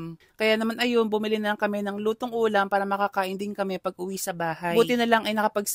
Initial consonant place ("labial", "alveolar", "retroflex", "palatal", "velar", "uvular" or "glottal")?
velar